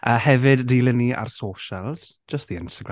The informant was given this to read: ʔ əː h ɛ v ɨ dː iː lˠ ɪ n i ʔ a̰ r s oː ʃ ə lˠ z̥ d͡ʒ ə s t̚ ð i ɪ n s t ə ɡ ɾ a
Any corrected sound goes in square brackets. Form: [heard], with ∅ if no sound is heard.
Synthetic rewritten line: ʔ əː h ɛ v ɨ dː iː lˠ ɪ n i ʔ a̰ r s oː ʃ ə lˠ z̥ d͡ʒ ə s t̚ ð i ɪ n s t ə ɡ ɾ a